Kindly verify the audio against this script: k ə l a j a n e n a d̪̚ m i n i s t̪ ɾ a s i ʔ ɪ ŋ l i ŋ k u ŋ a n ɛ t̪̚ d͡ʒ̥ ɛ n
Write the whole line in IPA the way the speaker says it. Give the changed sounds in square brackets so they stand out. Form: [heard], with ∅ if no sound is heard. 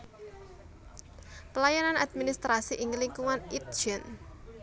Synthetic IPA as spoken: [p] ə l a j a n [a] n a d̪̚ m i n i s t̪ ɾ a s i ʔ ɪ ŋ l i ŋ k u ŋ a n [i] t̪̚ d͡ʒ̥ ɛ n